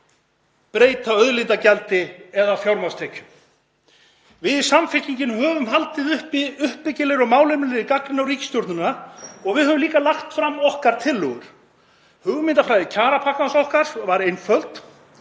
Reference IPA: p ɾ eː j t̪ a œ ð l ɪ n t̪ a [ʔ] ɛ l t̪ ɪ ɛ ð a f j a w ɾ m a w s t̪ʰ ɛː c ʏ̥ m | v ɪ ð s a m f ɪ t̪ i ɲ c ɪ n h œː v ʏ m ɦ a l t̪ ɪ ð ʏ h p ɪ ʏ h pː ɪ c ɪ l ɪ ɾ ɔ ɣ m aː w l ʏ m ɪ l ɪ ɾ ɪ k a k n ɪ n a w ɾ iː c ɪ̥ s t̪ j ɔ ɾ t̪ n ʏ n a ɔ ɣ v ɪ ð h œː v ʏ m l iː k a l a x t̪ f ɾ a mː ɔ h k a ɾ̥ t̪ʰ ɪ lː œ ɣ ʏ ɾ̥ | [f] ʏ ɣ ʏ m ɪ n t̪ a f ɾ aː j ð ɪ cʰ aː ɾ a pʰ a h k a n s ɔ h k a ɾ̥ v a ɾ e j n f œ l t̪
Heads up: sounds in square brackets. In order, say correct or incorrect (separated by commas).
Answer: incorrect, incorrect